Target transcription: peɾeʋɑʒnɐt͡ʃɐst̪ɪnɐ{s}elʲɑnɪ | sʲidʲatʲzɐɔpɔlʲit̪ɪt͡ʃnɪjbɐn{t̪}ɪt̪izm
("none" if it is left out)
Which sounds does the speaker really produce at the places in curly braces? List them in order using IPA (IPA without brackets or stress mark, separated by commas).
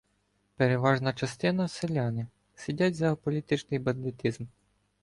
s, d̪